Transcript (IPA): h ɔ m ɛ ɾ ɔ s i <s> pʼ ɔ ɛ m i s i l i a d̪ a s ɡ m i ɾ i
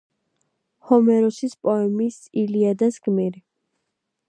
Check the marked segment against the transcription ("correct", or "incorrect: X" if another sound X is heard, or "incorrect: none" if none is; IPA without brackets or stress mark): correct